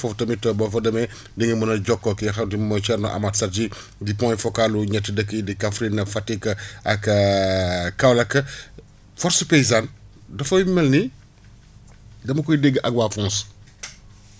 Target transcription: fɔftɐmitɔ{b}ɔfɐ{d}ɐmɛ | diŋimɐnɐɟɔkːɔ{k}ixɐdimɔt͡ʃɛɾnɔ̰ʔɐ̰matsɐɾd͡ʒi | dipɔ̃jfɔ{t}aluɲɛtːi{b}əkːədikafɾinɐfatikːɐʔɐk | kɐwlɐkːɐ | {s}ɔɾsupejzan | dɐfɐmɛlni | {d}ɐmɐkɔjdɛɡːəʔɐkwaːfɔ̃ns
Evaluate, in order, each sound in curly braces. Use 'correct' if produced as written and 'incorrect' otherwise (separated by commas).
correct, correct, correct, incorrect, incorrect, incorrect, correct